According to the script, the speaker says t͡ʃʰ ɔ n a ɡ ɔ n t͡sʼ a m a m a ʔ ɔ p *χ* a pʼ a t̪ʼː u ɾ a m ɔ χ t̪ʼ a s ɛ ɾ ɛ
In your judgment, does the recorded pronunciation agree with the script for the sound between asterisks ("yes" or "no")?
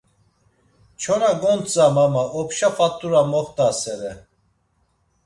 no